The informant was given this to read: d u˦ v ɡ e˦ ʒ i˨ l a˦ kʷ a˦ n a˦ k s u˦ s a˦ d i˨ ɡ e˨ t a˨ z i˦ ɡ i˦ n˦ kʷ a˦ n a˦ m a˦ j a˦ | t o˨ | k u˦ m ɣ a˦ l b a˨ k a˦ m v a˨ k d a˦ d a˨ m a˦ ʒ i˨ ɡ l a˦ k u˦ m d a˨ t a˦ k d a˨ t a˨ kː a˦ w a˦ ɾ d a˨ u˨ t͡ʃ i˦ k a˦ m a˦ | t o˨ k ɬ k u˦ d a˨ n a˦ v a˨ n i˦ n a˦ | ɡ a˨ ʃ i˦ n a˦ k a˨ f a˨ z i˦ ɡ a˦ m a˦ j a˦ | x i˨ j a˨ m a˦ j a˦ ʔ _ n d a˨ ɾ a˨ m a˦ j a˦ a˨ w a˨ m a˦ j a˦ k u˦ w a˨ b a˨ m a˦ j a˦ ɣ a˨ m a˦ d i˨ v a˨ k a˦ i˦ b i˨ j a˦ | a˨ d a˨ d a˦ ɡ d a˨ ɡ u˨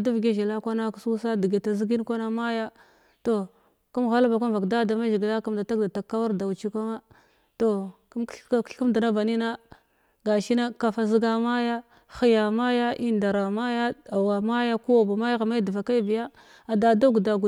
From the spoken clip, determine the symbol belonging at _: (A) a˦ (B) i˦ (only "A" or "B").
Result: B